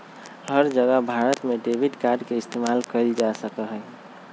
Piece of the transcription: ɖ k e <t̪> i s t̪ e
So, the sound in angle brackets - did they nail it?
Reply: no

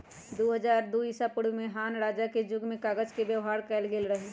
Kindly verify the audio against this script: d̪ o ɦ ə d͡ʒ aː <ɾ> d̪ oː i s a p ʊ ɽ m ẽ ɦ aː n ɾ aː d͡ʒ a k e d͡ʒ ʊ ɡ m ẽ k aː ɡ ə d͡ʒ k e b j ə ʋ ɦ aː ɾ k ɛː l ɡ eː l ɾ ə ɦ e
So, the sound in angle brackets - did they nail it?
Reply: yes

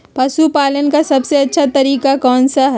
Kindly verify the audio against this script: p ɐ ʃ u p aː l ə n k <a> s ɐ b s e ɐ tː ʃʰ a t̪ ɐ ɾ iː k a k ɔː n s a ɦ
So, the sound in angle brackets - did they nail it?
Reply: yes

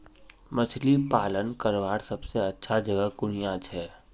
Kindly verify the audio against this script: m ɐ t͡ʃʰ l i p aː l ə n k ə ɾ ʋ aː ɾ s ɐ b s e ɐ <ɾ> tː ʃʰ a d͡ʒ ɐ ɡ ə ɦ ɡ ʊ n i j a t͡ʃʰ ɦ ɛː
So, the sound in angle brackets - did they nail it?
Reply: no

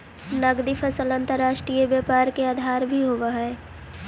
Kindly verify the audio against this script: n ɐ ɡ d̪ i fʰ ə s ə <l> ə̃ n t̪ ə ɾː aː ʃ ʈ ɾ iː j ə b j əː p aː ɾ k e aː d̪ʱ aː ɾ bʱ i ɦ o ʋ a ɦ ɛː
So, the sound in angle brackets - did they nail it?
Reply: yes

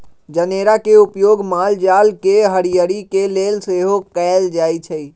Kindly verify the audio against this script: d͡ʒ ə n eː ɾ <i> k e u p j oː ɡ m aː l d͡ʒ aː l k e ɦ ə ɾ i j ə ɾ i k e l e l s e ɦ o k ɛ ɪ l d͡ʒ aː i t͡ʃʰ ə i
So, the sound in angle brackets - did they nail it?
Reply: no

